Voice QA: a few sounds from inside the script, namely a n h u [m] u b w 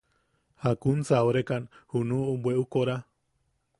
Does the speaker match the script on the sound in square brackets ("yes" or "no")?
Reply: no